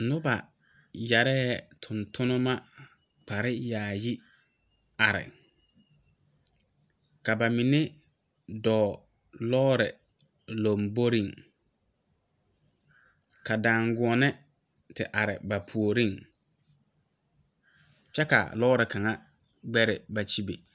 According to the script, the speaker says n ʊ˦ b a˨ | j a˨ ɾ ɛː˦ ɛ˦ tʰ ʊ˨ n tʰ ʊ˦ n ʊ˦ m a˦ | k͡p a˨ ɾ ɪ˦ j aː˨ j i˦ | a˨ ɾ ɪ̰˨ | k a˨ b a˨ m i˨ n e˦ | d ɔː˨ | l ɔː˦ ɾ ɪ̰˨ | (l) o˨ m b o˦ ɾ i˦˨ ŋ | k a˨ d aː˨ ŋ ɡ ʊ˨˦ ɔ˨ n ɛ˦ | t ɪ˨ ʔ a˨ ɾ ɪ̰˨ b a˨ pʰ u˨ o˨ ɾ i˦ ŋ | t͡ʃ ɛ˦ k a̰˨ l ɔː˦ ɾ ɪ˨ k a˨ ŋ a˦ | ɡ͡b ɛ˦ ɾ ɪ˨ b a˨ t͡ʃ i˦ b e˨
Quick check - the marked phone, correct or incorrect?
correct